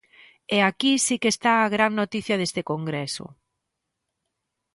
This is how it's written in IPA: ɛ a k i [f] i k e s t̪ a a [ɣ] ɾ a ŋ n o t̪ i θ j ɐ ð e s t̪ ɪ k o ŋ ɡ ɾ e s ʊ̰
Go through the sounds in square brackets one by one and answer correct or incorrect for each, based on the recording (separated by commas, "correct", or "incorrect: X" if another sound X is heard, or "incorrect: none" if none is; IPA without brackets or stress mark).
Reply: incorrect: s, correct